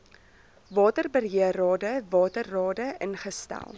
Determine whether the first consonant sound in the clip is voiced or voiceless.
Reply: voiced